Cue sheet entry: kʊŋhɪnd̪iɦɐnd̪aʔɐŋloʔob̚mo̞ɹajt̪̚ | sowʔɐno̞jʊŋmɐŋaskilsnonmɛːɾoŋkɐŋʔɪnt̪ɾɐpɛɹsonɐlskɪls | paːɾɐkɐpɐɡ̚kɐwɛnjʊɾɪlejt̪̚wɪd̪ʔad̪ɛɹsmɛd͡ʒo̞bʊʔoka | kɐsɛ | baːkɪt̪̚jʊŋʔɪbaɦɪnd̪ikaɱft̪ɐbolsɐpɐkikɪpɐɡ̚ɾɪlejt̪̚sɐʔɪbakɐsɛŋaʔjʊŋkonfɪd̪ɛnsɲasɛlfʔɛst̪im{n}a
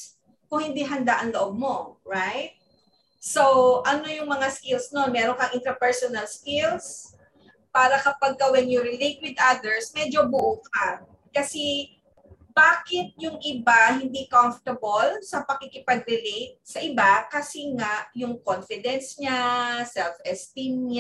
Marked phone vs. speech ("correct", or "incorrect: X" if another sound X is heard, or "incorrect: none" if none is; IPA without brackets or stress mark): incorrect: ɲ